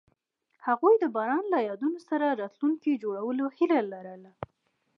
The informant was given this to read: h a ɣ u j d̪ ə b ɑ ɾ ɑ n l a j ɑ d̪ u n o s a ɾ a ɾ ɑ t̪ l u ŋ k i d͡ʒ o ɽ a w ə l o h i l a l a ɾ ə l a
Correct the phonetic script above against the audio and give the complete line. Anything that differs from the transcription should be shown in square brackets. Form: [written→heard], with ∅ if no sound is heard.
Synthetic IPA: h a ɣ u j d̪ ə b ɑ ɾ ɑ n l a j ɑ d̪ u n o s a ɾ a ɾ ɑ t̪ l u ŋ k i d͡ʒ o ɽ a w ə l o h i l a l a ɾ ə l a